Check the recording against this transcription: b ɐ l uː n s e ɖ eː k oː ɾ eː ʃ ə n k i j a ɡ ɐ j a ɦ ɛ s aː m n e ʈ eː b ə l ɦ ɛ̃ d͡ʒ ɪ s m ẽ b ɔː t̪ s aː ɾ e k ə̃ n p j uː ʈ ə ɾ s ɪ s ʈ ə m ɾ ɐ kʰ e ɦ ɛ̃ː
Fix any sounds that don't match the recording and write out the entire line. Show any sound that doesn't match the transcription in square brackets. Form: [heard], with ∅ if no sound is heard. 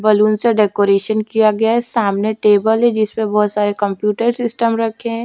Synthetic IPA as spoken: b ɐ l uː n s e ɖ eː k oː ɾ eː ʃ ə n k i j a ɡ ɐ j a ɦ ɛ s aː m n e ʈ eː b ə l ɦ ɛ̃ d͡ʒ ɪ s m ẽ b ɔː t̪ s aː ɾ e k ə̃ [m] p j uː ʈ ə ɾ s ɪ s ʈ ə m ɾ ɐ kʰ e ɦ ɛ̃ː